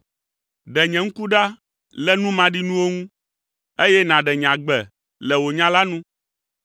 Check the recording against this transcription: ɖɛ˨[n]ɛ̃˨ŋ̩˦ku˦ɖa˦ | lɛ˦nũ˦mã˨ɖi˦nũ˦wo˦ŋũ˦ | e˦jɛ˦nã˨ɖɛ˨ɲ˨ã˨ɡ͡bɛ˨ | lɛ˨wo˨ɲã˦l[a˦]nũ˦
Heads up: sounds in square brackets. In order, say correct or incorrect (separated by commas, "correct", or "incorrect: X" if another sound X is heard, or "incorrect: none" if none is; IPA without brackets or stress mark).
incorrect: ɲ, correct